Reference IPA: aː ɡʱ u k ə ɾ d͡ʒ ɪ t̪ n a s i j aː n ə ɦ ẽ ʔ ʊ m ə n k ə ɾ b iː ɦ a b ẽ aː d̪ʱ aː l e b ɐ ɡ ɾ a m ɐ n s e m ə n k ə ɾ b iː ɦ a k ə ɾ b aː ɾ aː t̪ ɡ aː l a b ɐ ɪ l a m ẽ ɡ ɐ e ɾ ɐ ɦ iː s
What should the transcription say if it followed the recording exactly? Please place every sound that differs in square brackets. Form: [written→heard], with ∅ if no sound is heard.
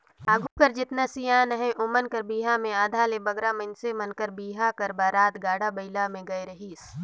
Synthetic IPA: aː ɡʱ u k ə ɾ d͡ʒ ɪ t̪ n a s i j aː n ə ɦ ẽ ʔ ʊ m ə n k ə ɾ b iː ɦ a [b→m] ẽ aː d̪ʱ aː l e b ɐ ɡ ɾ a m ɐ n s e m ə n k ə ɾ b iː ɦ a k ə ɾ b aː ɾ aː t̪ ɡ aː [l→ɽ] a b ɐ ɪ l a m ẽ ɡ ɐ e ɾ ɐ ɦ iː s